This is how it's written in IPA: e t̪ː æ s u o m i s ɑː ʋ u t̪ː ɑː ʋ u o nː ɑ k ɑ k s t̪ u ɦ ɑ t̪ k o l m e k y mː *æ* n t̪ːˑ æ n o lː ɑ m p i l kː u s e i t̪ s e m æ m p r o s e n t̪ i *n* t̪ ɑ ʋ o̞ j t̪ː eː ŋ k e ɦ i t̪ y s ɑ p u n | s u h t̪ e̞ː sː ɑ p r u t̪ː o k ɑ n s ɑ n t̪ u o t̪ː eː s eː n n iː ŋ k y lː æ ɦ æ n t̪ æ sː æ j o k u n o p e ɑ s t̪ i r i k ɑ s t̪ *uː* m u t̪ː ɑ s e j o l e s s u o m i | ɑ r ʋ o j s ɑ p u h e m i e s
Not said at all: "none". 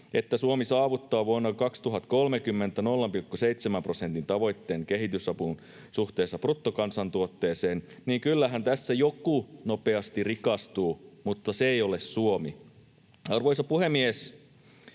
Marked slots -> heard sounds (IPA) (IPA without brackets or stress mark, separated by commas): e, n, uː